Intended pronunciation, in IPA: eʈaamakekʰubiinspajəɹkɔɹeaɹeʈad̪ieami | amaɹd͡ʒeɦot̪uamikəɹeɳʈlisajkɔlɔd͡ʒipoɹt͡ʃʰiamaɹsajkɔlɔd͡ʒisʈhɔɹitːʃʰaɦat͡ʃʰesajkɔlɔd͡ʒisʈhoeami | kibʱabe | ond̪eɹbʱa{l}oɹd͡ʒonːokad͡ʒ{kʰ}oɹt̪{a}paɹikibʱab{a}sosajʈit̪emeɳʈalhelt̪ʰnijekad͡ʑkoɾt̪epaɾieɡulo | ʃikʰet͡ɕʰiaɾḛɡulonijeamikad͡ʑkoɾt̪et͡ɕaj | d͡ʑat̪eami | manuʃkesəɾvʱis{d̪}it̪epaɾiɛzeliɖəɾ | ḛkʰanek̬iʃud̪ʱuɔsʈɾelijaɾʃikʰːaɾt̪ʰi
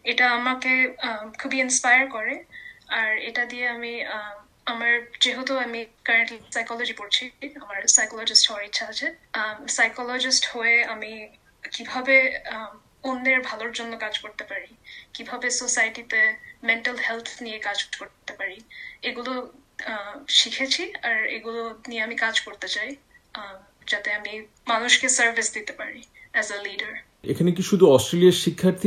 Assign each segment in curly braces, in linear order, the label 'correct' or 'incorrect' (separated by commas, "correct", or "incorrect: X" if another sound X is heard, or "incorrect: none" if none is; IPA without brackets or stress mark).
correct, incorrect: k, incorrect: e, incorrect: e, correct